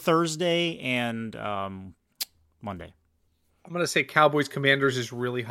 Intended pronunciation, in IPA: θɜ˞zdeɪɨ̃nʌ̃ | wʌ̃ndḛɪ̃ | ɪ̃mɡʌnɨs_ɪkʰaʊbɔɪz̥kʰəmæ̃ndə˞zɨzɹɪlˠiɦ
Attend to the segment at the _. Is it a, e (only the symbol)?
e